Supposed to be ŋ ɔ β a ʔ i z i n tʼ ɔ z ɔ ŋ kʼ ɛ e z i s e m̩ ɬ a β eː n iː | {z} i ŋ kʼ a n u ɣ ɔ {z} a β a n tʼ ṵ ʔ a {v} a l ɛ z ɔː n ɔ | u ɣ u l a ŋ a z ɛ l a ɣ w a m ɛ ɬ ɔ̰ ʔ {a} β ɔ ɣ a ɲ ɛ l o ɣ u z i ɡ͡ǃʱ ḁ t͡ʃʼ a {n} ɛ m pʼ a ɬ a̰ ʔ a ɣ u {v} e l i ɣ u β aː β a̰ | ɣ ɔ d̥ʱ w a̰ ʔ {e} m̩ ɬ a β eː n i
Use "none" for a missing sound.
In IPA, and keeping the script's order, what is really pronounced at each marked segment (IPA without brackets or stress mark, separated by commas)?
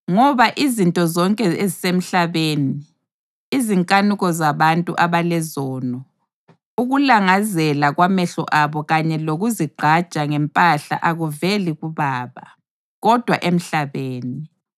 z, z, β, a, ŋ, v, e